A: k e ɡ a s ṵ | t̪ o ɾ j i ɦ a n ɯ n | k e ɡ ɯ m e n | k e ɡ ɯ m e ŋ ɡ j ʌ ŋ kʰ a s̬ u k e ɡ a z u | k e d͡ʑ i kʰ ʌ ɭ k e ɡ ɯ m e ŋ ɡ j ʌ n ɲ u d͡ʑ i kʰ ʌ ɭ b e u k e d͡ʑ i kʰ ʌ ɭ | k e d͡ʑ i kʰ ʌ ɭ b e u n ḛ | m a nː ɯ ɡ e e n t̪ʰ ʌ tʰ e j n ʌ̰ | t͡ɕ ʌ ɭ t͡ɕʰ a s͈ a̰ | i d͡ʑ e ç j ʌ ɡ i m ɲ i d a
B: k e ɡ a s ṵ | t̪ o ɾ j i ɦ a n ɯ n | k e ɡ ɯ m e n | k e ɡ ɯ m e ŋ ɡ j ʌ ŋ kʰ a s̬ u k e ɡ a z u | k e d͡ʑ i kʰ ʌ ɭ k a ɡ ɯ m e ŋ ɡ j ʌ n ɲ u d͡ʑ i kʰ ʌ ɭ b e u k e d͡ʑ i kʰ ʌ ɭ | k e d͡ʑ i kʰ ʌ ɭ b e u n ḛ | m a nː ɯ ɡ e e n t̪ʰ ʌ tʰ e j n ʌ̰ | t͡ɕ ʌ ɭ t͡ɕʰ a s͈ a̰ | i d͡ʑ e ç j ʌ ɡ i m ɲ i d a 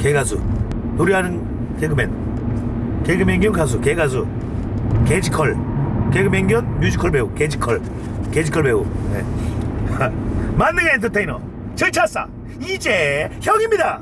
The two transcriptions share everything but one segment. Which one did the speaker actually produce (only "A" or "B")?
A